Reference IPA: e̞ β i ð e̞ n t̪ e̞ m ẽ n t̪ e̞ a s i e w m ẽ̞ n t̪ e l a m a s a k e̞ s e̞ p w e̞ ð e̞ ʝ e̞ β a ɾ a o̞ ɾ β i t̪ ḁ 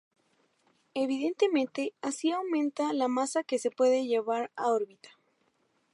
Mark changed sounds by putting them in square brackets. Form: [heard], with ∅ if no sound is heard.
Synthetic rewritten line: e̞ β i ð e̞ n t̪ e̞ m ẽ n t̪ e̞ a s i [a] w m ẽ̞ n t̪ [a] l a m a s a k e̞ s e̞ p w e̞ ð e̞ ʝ e̞ β a ɾ a o̞ ɾ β i t̪ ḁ